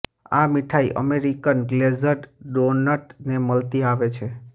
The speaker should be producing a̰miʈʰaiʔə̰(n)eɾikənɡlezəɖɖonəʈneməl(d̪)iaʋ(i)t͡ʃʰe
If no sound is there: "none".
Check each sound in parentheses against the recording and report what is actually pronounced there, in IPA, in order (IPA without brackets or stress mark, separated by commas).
m, t̪, e